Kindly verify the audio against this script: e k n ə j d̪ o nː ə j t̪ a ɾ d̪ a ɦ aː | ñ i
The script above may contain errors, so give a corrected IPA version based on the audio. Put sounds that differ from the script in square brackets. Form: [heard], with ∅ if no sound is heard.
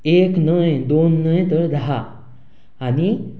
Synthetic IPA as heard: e k n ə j d̪ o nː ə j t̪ [ə] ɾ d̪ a ɦ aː | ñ i